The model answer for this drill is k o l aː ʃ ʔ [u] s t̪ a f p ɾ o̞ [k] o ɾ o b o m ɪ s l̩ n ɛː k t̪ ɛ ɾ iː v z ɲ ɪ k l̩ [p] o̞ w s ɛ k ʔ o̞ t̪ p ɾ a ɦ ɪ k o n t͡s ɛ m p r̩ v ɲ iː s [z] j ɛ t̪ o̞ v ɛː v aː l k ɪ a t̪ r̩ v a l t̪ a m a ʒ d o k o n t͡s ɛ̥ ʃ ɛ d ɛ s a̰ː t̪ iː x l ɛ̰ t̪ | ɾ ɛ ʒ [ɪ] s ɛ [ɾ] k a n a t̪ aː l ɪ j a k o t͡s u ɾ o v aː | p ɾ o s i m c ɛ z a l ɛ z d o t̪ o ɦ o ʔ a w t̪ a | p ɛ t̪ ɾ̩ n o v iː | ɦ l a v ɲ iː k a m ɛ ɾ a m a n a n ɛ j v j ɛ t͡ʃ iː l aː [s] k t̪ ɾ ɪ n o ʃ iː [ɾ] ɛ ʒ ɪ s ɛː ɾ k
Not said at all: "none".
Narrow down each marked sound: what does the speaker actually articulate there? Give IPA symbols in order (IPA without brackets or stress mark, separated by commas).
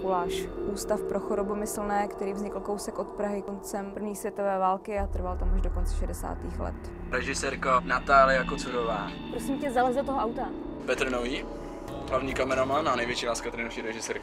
uː, x, k, v, ɪ, ɾ, s, ɾ